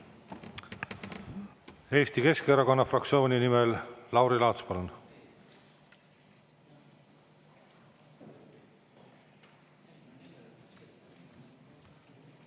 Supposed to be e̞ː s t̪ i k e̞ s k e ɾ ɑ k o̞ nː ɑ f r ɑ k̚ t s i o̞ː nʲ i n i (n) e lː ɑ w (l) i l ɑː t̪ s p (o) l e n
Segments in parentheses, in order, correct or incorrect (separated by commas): incorrect, incorrect, correct